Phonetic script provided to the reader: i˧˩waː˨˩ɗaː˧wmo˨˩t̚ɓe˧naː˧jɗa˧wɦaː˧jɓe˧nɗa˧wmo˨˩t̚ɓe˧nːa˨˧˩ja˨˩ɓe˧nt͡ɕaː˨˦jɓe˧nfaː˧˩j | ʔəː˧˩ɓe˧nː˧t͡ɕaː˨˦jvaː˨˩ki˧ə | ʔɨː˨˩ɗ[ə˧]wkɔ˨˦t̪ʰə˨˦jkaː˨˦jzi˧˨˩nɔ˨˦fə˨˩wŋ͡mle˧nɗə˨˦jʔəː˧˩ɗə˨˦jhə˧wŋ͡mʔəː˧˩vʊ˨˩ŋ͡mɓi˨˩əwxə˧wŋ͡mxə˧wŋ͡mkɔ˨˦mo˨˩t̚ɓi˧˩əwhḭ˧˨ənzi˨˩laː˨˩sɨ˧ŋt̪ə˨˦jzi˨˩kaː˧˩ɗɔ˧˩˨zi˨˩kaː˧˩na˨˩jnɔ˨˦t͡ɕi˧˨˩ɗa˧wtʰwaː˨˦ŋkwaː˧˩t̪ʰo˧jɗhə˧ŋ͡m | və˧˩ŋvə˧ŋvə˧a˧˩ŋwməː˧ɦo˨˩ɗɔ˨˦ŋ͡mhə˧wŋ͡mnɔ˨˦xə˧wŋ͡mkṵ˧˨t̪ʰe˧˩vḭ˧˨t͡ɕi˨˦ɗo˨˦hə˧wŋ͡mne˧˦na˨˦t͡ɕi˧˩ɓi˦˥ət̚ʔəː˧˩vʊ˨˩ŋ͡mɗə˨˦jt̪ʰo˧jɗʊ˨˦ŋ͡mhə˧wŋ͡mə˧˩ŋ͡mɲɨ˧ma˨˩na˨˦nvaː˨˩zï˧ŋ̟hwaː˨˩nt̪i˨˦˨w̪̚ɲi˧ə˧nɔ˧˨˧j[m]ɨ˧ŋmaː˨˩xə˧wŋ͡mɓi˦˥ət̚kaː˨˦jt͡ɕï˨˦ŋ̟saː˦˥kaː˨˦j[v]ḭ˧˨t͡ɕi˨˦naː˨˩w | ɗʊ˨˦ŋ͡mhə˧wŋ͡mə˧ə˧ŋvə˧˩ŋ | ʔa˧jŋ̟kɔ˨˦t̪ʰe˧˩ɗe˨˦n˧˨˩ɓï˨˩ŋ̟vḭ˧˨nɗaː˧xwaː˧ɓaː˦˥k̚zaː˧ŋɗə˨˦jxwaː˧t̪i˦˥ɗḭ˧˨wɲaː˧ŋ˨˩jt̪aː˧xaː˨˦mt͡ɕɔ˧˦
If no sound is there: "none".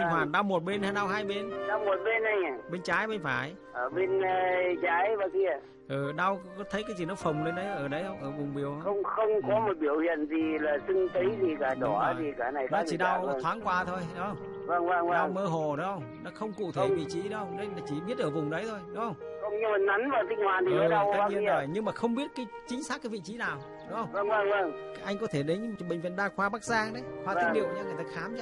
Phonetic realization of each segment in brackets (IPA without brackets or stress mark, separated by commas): a˧, ɲ, v